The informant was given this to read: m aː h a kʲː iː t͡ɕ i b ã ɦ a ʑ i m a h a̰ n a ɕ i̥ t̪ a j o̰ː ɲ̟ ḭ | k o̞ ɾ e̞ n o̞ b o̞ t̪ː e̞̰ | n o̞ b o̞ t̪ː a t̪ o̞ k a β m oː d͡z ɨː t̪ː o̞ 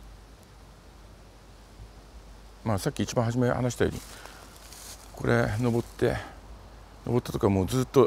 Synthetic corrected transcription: m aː s a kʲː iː t͡ɕ i b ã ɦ a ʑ i m e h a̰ n a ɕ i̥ t̪ a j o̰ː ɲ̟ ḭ | k o̞ ɾ e̞ n o̞ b o̞ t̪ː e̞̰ | n o̞ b o̞ t̪ː a t̪ o̞ k a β m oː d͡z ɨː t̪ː o̞